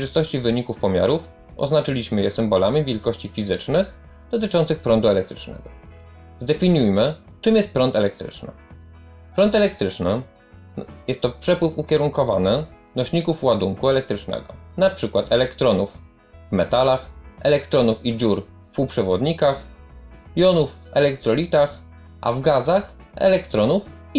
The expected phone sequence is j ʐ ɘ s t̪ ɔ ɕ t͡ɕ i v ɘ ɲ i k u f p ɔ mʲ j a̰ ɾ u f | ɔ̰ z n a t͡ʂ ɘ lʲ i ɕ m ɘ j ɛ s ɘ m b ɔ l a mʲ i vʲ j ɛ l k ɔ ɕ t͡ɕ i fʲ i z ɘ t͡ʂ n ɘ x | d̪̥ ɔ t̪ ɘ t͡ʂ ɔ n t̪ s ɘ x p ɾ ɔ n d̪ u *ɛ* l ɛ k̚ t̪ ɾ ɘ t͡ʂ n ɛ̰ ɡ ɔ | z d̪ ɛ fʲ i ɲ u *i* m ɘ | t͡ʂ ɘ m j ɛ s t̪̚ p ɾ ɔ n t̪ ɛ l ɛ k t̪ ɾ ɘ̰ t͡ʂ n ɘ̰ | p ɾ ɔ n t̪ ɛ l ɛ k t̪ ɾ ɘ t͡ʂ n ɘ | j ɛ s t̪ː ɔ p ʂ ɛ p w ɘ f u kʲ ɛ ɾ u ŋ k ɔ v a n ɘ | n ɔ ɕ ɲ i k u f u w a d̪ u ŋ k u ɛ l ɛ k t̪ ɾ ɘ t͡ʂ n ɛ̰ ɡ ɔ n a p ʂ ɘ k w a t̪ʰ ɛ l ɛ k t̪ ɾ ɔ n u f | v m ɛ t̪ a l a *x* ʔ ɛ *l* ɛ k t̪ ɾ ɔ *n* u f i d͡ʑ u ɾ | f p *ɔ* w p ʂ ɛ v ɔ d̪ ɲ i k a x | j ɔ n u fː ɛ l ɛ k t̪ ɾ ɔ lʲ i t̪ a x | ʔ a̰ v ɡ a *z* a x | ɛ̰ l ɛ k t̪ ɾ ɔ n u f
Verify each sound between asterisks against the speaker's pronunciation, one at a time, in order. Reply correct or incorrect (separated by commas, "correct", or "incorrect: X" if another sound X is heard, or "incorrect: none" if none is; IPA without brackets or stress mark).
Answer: correct, incorrect: j, correct, correct, correct, incorrect: u, correct